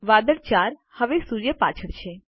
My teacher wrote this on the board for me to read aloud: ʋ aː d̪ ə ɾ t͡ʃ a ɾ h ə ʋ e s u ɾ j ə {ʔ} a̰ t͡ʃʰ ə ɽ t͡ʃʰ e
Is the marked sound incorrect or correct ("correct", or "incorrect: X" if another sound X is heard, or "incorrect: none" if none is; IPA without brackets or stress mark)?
incorrect: p